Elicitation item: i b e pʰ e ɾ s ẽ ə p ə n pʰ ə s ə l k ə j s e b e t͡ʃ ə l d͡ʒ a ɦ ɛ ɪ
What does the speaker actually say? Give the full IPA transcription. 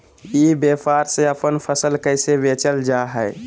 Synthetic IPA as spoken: i b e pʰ a ɾ s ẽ ə p ə n pʰ ə s ə l k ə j s e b e t͡ʃ ə l d͡ʒ a ɦ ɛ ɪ